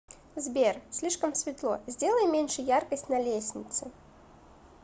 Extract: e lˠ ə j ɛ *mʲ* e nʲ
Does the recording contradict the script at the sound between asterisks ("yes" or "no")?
no